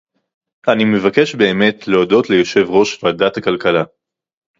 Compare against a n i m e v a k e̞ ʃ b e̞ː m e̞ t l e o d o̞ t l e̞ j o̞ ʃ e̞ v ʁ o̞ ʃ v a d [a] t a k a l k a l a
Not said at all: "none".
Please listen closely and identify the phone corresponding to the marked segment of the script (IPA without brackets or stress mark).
a